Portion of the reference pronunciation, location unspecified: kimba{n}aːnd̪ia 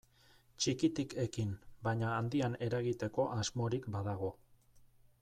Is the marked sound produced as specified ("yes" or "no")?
no